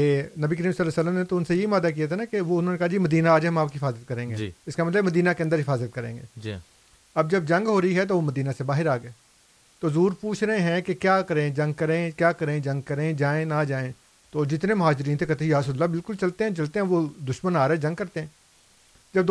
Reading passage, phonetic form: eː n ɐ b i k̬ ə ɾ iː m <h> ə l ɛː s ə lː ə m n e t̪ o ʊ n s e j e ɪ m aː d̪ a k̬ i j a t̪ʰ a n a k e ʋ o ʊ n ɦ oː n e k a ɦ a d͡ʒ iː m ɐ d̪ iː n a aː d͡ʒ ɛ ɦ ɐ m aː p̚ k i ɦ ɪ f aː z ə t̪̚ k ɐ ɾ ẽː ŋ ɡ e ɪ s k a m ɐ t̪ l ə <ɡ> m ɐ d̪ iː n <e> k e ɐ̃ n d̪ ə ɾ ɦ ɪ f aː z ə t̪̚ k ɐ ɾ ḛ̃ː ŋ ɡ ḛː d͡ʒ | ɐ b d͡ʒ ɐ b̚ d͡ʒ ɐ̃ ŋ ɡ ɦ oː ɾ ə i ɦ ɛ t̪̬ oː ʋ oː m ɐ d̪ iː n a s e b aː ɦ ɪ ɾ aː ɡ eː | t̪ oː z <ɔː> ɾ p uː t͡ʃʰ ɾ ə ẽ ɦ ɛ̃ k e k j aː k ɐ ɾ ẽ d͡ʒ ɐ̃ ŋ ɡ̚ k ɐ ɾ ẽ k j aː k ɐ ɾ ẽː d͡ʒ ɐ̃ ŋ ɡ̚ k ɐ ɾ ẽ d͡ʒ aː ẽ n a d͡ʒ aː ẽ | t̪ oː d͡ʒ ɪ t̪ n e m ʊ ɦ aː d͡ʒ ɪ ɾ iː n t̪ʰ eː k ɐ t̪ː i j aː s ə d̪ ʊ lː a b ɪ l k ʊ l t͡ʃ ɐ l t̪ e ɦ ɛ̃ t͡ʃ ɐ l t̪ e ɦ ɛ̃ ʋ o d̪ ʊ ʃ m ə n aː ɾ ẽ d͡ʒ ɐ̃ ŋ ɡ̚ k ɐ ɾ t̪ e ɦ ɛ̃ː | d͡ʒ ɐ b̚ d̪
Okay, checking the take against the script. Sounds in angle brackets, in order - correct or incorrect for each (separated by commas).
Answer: incorrect, incorrect, incorrect, incorrect